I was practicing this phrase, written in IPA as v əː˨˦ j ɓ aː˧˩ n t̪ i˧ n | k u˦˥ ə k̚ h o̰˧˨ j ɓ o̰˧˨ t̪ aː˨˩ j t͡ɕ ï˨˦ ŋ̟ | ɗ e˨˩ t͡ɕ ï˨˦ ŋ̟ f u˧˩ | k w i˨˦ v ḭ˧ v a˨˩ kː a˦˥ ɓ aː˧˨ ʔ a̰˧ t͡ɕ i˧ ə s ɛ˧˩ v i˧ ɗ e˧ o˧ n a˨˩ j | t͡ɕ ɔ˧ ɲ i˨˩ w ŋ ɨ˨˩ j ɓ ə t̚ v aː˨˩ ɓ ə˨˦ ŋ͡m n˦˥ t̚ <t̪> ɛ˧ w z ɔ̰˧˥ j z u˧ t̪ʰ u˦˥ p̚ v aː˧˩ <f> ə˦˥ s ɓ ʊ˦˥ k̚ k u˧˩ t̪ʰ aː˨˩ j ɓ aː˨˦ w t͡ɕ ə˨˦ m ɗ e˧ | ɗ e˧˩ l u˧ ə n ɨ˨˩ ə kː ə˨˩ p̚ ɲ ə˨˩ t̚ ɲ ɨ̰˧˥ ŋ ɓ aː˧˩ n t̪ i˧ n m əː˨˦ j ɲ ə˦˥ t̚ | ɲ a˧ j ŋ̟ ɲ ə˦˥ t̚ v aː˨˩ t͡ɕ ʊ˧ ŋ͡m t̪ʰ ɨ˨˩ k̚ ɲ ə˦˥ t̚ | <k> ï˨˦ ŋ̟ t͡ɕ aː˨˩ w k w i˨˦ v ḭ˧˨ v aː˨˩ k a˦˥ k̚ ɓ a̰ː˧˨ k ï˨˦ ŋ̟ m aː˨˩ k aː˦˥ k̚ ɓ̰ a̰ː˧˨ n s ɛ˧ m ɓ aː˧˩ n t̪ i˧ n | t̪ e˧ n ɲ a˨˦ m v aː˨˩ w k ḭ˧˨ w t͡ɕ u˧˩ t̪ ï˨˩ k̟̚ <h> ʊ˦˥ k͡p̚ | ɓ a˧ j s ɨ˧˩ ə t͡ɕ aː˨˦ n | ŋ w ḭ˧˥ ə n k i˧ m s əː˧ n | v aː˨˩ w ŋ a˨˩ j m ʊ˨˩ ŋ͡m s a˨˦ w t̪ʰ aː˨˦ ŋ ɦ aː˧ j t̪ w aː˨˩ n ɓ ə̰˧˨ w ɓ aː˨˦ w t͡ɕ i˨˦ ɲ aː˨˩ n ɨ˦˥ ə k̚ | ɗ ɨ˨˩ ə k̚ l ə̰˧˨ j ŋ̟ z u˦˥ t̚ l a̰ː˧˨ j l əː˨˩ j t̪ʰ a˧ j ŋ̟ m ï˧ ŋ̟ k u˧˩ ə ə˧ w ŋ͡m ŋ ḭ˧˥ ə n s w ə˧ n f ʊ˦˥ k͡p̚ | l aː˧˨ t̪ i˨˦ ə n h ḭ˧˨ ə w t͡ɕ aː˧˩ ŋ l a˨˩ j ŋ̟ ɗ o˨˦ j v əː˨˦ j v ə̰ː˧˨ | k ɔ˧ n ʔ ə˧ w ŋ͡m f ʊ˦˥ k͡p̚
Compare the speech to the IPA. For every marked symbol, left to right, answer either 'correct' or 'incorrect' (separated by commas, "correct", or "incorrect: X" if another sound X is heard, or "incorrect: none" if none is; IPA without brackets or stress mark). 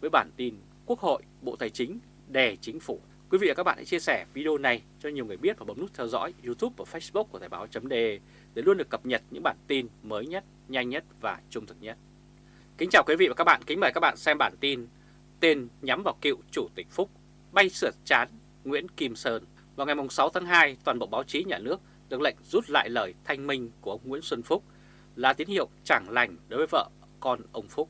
incorrect: t̪ʰ, correct, correct, incorrect: f